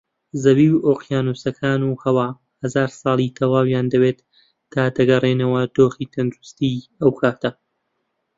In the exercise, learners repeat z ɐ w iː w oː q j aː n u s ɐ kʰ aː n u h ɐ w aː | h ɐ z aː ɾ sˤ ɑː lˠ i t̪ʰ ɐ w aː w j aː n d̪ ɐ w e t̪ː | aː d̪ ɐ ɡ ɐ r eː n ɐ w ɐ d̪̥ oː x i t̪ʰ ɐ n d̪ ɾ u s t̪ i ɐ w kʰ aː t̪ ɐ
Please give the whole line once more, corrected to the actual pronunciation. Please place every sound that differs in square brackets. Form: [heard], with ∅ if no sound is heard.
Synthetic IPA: z ɐ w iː w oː q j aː n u s ɐ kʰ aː n u h ɐ w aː | h ɐ z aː ɾ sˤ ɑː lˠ i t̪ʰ ɐ w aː w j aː n d̪ ɐ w e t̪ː | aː d̪ ɐ ɡ ɐ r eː n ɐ w ɐ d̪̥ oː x i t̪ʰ ɐ n d̪ ɾ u s t̪ i ɐ w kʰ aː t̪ ɐ